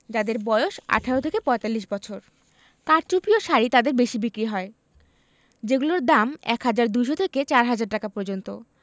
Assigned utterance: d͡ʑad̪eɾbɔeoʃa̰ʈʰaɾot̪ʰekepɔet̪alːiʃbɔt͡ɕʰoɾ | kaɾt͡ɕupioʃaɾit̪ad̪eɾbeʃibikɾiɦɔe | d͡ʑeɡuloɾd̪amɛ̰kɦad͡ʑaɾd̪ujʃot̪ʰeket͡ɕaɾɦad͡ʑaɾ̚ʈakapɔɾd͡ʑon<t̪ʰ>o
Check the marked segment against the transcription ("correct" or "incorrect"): incorrect